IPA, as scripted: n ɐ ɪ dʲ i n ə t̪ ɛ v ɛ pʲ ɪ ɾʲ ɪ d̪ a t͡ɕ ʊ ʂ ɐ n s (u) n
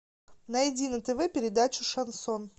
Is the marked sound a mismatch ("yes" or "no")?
yes